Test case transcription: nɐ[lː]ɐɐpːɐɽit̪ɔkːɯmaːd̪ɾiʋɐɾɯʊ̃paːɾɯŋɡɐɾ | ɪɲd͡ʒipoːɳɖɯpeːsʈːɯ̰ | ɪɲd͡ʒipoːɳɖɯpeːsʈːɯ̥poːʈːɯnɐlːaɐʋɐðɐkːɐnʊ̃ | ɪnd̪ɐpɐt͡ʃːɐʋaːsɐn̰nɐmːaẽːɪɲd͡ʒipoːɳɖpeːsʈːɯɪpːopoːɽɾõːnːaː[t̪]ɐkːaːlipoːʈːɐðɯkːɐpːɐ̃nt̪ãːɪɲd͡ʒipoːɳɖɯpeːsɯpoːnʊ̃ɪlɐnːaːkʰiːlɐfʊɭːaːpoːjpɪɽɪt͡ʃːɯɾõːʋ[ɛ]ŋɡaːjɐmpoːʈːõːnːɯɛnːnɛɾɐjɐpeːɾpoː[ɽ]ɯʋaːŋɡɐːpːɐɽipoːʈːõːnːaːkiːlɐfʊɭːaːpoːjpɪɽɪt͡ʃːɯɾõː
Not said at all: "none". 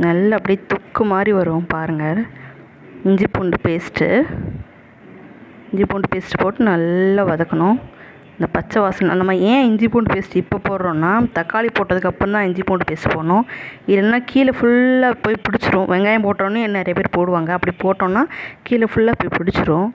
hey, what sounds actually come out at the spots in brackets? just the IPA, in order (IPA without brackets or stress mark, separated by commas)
lː, t̪, ɛ, ɽ